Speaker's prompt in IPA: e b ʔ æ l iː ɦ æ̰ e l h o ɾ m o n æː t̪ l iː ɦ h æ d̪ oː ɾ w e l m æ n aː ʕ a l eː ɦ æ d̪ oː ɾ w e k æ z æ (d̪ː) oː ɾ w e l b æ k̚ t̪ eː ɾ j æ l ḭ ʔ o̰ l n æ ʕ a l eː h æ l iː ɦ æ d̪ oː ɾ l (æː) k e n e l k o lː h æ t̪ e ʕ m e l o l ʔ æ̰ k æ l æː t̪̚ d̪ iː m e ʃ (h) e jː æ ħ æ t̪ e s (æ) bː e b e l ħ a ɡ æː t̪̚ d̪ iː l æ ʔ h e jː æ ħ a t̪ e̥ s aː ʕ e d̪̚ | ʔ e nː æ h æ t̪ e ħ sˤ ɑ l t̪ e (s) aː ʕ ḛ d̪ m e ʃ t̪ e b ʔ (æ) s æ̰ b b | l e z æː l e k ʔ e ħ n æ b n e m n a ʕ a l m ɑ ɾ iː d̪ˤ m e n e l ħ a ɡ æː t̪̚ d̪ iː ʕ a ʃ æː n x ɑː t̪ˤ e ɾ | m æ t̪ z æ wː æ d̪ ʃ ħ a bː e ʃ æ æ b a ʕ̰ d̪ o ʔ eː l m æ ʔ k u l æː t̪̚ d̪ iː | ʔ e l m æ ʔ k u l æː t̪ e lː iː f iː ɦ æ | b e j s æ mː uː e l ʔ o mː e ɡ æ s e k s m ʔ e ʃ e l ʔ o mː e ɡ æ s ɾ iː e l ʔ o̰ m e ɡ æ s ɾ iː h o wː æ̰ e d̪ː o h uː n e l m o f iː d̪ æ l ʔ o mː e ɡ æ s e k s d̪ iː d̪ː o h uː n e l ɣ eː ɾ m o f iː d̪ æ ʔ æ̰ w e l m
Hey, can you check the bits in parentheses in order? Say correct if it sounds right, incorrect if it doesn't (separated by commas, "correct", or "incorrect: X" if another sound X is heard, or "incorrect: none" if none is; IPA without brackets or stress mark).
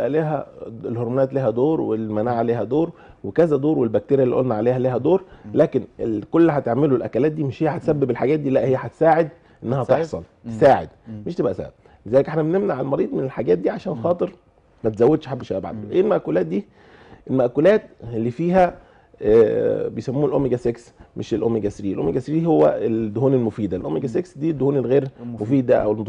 incorrect: d̪, correct, correct, correct, correct, correct